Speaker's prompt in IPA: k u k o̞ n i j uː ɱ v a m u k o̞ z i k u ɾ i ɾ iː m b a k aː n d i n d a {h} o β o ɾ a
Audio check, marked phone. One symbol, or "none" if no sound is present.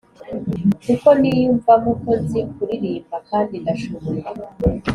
ʃ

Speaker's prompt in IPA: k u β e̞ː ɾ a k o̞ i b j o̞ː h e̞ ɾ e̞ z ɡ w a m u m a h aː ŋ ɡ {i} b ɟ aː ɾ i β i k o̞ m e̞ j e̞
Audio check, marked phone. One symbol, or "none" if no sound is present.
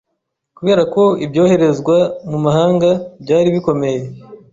a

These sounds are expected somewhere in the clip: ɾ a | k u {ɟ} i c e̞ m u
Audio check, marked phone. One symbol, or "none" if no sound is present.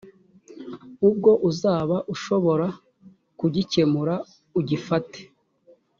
ɟ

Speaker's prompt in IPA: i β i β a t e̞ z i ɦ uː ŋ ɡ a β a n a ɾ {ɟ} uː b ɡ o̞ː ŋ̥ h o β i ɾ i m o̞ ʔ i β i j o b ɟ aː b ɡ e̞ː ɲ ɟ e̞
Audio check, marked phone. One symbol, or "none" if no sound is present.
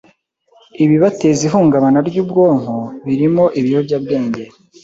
ɟ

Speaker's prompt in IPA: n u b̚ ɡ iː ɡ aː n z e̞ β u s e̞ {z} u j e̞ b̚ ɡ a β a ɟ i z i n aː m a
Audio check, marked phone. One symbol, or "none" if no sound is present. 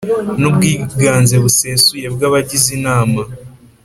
s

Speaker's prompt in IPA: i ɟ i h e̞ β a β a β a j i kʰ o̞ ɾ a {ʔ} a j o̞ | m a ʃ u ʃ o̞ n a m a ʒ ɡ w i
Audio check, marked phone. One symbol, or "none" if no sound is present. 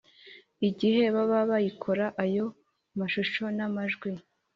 ʔ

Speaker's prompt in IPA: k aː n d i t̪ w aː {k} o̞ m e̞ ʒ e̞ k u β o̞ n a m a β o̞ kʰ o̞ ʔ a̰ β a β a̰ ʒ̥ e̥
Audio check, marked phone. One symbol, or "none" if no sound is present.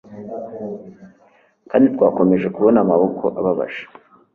k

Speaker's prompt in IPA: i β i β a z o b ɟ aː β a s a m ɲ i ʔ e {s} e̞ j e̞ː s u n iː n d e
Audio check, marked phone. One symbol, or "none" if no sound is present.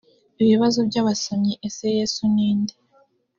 s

